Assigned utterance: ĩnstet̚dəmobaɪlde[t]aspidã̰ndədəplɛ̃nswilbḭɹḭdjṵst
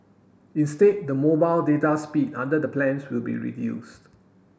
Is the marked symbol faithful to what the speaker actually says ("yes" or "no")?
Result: yes